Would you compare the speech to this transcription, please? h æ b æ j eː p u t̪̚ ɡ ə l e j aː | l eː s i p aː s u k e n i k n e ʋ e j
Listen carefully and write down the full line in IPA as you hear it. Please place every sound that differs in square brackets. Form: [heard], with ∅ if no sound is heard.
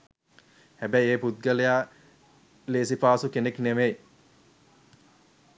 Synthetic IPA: h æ b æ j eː p u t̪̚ ɡ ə l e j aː | l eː s i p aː s u k e n [e] k n e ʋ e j